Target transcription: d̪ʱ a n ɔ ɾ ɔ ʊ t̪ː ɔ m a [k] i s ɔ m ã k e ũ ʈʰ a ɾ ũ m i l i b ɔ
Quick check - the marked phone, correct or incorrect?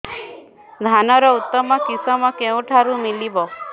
correct